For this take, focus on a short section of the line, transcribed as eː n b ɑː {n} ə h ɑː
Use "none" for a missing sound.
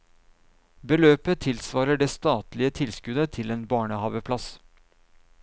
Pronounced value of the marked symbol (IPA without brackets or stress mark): ɳ